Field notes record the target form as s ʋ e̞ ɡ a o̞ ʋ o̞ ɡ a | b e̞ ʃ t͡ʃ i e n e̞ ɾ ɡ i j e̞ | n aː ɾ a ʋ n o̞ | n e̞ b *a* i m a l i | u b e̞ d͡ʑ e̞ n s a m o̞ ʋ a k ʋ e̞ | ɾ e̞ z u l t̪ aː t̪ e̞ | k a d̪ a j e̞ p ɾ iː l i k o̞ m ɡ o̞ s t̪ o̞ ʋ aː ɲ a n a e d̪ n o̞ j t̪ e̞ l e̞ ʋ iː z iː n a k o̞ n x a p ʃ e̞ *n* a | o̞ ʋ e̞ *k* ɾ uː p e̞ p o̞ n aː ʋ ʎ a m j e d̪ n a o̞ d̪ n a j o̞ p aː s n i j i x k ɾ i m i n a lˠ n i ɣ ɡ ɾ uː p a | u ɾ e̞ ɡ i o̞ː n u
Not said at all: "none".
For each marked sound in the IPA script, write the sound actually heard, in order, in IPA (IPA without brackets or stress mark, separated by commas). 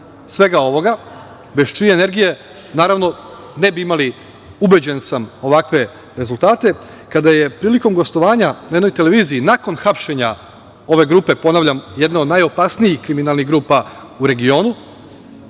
i, ɲ, ɡ